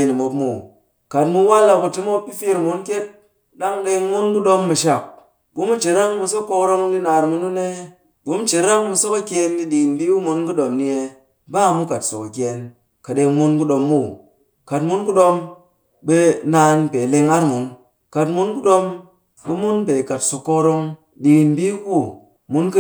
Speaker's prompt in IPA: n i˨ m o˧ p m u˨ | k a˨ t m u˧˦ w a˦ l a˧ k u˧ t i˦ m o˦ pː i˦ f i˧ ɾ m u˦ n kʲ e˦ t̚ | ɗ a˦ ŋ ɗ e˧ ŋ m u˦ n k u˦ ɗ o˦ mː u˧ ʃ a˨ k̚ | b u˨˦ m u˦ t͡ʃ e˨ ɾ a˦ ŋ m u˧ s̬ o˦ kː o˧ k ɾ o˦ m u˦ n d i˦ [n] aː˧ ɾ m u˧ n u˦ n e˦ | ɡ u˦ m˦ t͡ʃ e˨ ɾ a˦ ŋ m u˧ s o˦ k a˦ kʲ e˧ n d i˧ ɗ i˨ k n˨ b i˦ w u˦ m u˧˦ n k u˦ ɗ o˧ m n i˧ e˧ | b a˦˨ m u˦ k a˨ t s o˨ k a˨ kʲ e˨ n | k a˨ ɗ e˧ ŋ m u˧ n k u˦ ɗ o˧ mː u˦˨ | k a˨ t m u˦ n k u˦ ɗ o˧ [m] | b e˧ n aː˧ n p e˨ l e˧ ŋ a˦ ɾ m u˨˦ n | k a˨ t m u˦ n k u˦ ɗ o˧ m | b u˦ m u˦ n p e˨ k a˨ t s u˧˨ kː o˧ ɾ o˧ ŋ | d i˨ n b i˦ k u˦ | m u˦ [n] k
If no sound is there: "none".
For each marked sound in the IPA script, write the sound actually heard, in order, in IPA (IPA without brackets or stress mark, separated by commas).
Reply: n, m, n